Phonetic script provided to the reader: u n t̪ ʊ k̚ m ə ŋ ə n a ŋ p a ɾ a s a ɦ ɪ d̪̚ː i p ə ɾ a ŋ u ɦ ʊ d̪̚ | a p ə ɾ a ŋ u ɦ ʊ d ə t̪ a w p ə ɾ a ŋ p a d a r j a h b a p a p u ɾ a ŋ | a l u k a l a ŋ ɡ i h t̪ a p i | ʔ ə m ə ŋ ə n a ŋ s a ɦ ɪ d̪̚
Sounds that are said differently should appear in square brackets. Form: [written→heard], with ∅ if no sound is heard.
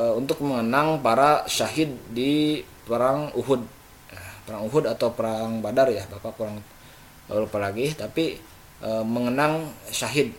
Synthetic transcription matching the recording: u n t̪ ʊ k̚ m ə ŋ ə n a ŋ p a ɾ a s a ɦ ɪ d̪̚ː i p ə ɾ a ŋ u ɦ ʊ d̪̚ | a p ə ɾ a ŋ u ɦ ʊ d [ə→a] t̪ a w p ə ɾ a ŋ [p→b] a d a r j a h b a p a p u ɾ a ŋ | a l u [k→p] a l a [ŋ→∅] ɡ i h t̪ a p i | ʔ ə m ə ŋ ə n a ŋ s a ɦ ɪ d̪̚